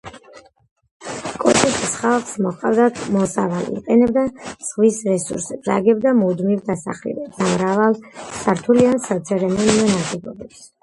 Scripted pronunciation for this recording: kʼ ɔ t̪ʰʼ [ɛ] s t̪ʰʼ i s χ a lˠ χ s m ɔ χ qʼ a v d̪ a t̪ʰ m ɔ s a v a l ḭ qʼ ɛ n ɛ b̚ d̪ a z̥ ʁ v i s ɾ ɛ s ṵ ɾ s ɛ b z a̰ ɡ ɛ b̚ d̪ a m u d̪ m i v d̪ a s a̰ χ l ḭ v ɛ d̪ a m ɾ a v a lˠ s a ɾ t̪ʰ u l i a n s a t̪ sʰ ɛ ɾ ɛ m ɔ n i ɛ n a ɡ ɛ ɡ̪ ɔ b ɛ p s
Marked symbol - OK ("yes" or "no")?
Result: yes